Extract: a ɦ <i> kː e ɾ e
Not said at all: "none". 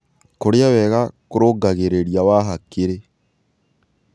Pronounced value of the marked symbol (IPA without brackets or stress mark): a